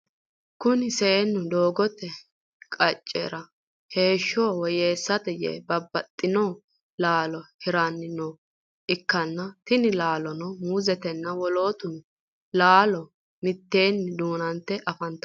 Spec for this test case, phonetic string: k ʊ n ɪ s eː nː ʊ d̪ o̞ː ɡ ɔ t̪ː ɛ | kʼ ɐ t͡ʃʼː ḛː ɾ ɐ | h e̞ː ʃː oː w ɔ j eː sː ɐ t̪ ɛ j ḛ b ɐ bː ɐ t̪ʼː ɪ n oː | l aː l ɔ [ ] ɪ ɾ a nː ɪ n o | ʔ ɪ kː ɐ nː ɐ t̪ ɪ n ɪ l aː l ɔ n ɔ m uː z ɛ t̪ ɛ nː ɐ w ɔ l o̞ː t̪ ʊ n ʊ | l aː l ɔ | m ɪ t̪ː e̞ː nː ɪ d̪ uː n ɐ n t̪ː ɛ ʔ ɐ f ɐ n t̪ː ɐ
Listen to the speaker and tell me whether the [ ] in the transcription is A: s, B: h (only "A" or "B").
B